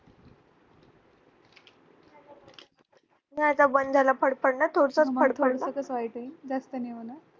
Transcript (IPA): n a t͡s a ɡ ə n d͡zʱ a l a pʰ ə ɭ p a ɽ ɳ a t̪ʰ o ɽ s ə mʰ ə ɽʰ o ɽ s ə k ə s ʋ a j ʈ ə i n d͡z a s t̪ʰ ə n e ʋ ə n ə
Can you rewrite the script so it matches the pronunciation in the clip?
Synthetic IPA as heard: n a t͡s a b ə n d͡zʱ a l a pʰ ə ɽ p ə ɽ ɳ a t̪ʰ o ɽ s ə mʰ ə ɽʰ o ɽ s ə k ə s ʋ a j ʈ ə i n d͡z a s t̪ ə n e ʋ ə n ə